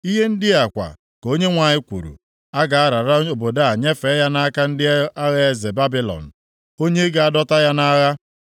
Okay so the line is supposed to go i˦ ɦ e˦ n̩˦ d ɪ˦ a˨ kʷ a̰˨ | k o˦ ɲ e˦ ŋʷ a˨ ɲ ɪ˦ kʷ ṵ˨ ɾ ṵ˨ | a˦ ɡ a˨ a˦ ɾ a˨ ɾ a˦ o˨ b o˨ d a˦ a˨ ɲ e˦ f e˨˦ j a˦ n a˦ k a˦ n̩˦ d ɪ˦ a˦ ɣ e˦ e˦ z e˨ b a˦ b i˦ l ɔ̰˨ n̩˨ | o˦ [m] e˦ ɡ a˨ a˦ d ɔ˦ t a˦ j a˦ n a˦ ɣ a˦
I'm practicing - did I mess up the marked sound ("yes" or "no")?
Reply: yes